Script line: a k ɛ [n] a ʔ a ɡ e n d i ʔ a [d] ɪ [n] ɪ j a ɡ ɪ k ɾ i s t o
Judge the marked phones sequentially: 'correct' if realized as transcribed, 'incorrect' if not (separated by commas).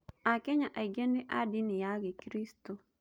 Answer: incorrect, correct, correct